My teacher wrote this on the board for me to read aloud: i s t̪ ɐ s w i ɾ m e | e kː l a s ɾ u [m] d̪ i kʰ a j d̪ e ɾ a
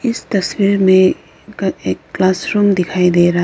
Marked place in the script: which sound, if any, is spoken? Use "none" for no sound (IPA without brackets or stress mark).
m